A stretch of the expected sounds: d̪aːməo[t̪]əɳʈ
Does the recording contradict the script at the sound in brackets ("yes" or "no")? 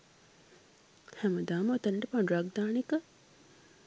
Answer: no